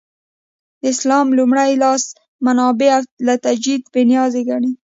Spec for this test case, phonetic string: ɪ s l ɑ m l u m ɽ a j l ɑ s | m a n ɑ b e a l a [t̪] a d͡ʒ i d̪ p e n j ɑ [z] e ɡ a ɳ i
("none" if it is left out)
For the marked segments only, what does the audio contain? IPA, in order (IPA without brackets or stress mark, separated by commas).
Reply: t̪, z